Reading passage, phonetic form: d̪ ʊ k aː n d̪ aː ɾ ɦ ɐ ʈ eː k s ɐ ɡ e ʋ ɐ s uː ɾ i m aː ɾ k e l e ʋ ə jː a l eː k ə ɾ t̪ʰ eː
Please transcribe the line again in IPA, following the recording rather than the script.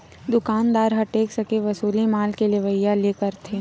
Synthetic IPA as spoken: d̪ ʊ k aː n d̪ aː ɾ ɦ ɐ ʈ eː k s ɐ k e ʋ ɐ s uː l i m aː l k e l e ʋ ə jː a l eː k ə ɾ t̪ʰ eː